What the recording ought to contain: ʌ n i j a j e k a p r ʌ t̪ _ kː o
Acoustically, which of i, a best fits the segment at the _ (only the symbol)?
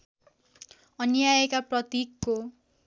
i